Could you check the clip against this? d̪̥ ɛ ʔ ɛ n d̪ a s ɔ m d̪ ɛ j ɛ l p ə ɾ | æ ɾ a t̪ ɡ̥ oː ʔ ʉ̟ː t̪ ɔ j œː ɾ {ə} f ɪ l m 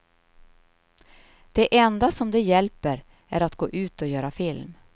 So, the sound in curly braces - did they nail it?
no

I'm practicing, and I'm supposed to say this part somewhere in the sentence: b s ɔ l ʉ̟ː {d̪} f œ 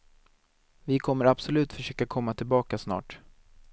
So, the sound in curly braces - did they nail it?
no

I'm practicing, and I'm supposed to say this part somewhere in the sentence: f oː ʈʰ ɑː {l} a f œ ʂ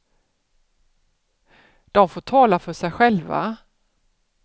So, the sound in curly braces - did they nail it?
yes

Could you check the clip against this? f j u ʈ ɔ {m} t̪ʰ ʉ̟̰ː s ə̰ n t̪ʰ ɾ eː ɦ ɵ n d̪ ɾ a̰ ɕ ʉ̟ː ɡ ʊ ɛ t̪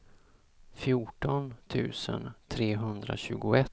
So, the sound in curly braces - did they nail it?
no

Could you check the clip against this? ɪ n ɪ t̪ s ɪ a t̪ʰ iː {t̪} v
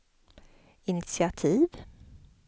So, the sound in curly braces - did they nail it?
no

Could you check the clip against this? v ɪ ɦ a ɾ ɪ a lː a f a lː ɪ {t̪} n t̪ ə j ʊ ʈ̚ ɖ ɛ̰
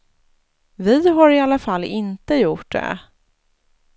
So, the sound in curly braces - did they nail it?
no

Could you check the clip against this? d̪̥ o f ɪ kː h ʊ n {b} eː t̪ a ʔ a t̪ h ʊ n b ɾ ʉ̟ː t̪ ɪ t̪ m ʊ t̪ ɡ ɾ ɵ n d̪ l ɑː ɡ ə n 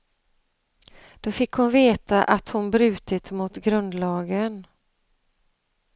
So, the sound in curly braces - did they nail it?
no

